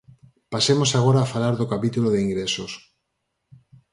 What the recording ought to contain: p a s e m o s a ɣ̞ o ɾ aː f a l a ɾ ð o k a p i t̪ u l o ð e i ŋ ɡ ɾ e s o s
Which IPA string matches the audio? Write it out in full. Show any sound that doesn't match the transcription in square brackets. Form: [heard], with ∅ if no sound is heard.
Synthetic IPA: p a s e m o s a ɣ̞ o ɾ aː f a l a ɾ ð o k a p i t̪ u l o ð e i ŋ ɡ ɾ e s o s